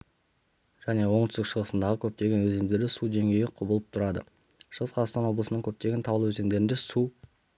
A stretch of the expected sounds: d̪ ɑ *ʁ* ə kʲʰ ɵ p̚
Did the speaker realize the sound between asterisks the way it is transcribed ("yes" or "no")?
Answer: yes